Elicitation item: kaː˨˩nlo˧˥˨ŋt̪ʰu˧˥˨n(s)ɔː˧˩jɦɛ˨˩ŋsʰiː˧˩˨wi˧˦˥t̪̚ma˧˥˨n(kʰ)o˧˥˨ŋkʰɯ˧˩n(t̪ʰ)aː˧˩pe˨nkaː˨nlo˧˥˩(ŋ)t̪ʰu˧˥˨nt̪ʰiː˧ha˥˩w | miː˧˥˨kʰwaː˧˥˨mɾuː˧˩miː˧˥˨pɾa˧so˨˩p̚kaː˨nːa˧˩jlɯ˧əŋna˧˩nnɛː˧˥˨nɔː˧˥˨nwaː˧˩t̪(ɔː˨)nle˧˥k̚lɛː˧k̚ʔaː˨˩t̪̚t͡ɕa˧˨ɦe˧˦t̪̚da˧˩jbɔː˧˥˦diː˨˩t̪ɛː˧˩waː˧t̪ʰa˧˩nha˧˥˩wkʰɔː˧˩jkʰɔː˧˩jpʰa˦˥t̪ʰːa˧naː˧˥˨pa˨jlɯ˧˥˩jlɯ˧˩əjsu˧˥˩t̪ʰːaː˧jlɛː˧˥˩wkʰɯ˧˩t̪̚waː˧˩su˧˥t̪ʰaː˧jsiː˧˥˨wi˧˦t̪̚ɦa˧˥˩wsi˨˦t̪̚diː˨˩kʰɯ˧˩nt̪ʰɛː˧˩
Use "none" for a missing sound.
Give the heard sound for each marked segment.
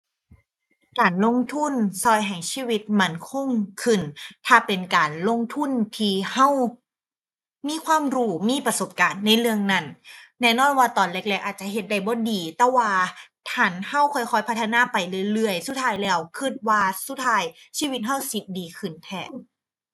s, kʰ, t̪ʰ, ŋ, ɔː˨

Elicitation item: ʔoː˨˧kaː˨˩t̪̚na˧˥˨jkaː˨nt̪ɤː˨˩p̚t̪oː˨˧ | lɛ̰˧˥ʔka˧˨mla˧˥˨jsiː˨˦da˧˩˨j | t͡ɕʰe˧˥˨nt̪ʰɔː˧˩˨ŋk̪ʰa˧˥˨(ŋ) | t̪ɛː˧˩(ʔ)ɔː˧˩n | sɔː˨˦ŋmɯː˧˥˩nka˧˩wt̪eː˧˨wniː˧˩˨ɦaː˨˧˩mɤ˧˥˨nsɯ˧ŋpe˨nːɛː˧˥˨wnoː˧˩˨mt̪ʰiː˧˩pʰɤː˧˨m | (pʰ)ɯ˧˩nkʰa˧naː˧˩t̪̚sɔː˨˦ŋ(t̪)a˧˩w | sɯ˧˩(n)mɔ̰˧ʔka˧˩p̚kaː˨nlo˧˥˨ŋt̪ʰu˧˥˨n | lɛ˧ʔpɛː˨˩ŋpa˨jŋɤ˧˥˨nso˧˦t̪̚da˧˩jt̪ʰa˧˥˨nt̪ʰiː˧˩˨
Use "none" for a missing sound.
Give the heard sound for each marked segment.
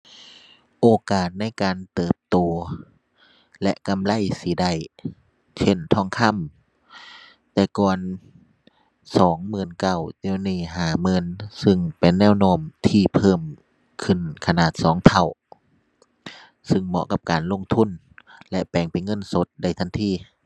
m, k, kʰ, t̪ʰ, ŋ

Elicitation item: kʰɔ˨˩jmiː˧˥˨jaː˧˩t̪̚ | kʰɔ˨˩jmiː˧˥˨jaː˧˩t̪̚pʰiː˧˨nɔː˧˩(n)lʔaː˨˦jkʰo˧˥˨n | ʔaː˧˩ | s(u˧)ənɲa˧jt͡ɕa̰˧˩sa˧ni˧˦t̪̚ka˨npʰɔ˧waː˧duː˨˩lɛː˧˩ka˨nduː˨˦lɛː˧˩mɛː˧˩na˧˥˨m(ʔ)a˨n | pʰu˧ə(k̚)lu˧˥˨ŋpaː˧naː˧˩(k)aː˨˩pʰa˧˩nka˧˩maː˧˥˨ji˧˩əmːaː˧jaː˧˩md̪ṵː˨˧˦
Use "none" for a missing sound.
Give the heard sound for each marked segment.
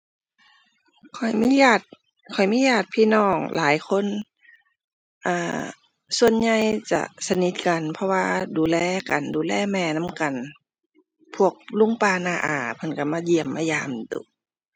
ŋ, u˧, k, k̚, ʔ

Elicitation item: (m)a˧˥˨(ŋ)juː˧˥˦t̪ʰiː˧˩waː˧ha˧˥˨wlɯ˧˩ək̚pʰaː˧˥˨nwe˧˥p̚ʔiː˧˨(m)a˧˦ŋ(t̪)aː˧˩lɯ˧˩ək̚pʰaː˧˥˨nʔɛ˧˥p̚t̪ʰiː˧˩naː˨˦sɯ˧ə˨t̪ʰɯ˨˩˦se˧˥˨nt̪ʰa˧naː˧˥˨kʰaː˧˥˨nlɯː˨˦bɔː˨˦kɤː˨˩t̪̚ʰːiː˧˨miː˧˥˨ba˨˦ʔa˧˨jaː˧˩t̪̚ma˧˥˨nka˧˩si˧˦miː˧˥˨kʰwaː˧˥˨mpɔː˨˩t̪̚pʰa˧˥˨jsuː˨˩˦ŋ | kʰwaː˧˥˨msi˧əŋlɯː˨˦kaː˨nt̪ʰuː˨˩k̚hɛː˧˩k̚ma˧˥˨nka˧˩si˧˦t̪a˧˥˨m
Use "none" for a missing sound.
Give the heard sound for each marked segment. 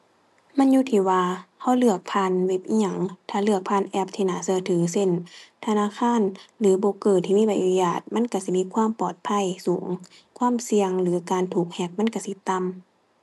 m, n, ɲ, t̪ʰ

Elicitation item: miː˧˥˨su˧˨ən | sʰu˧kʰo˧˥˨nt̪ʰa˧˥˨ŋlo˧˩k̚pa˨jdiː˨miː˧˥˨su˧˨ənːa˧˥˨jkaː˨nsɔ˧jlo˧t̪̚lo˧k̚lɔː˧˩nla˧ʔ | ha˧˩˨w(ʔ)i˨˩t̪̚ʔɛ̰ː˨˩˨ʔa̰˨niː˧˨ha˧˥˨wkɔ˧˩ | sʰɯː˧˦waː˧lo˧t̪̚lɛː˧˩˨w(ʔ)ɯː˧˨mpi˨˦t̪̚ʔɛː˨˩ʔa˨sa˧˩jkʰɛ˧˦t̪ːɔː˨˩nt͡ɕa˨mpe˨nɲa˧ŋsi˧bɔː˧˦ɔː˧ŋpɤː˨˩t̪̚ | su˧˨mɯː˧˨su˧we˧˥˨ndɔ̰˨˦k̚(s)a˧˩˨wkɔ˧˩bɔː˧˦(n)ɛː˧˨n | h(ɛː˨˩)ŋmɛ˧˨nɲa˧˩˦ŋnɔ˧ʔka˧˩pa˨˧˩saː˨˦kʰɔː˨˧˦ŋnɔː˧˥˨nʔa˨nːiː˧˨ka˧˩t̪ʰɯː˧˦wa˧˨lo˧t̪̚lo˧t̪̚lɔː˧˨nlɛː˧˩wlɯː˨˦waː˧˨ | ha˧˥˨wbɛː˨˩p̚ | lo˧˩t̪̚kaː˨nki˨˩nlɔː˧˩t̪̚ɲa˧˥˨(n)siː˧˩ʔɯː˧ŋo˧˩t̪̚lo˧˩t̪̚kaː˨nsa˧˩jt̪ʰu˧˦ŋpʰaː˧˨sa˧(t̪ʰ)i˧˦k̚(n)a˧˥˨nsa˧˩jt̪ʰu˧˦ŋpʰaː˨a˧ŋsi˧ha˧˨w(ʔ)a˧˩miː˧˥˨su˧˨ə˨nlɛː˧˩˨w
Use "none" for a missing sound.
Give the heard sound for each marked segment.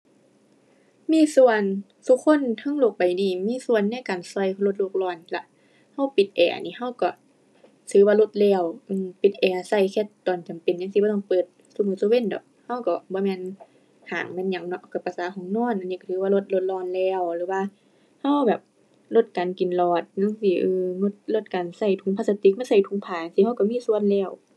p, ʔ, h, m, aː˨˩, ŋ, t̪, m, k

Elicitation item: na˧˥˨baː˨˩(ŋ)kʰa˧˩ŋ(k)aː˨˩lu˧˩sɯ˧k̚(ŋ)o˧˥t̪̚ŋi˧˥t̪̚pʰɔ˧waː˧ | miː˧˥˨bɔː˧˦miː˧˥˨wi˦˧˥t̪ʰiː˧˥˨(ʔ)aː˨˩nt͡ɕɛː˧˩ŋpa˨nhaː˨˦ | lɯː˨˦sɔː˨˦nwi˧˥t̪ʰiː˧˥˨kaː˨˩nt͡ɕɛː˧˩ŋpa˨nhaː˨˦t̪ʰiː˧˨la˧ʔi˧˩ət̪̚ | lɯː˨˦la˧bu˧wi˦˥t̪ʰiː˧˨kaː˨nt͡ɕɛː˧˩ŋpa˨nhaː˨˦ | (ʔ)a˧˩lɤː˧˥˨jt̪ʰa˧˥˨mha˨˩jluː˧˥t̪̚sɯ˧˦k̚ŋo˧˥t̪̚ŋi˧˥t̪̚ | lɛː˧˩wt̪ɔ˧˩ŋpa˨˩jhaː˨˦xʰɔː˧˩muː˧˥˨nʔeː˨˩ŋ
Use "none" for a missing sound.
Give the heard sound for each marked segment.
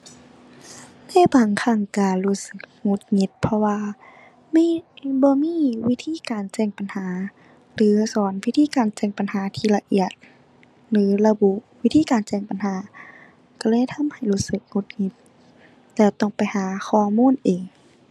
ŋ, k, ŋ, k, k

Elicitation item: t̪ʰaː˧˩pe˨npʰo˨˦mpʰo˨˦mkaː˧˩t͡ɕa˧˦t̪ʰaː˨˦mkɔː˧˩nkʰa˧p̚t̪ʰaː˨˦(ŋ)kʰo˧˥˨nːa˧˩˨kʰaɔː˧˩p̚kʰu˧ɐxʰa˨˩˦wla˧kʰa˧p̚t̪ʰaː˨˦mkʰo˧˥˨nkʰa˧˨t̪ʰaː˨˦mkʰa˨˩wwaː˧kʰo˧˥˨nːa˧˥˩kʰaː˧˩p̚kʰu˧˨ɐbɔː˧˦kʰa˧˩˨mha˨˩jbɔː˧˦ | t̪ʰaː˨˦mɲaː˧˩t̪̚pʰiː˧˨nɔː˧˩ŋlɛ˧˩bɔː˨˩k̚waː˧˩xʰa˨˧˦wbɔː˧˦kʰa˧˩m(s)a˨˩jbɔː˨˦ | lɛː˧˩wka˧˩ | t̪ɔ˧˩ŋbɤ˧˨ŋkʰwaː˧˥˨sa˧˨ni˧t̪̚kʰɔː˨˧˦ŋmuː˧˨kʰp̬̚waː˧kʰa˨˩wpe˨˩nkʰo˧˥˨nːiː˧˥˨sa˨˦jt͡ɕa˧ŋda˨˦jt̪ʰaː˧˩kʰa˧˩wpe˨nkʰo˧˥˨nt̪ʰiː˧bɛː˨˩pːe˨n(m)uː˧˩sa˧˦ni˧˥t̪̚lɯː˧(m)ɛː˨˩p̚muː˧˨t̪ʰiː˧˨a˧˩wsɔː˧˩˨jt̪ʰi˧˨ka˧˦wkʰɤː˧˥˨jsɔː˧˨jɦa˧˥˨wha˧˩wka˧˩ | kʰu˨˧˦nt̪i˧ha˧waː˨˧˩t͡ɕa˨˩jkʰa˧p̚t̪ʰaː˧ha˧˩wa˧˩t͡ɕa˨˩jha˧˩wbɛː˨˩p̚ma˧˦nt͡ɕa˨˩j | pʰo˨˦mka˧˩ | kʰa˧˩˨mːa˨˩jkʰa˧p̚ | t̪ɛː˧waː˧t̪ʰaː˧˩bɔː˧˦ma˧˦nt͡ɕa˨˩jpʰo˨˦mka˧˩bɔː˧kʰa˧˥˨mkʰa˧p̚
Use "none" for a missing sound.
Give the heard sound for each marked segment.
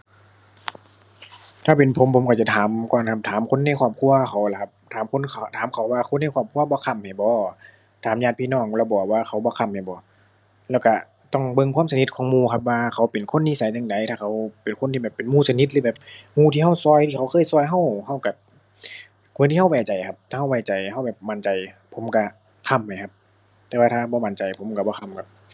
m, h, m, b

